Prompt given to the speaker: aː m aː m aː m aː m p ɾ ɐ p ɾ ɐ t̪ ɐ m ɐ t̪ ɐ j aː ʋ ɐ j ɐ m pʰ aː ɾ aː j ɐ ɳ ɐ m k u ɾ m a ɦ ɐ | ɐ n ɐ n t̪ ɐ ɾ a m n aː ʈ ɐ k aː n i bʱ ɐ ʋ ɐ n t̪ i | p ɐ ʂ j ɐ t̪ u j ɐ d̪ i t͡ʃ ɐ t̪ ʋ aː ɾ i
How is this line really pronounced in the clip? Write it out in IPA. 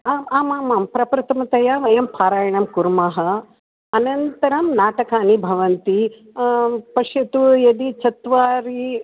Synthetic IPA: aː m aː m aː m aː m p ɾ ɐ p ɾ ɐ t̪ ɐ m ɐ t̪ ɐ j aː ʋ ɐ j ɐ m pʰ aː ɾ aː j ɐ ɳ ɐ m k u ɾ m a ɦ ɐ | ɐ n ɐ n t̪ ɐ ɾ ɐ m n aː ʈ ɐ k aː n i bʱ ɐ ʋ ɐ n t̪ i | p ɐ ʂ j ɐ t̪ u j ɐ d̪ i t͡ʃ ɐ t̪ ʋ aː ɾ i